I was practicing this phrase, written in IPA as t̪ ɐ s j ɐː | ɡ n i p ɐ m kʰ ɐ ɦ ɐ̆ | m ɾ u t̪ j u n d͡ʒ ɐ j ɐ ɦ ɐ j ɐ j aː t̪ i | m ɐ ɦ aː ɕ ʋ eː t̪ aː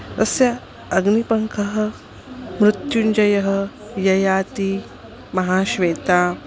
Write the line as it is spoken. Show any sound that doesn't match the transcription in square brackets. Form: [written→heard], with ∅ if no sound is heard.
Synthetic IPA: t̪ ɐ s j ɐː | ɡ n i p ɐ [m→ŋ] kʰ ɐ ɦ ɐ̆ | m ɾ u t̪ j u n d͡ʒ ɐ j ɐ ɦ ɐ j ɐ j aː t̪ i | m ɐ ɦ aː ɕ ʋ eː t̪ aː